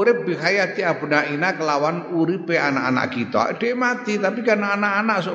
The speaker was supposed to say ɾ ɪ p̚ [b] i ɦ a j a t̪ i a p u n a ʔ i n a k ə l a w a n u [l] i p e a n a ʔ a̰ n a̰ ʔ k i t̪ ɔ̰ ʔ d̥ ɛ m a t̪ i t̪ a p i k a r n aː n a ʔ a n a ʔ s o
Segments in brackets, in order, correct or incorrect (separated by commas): correct, incorrect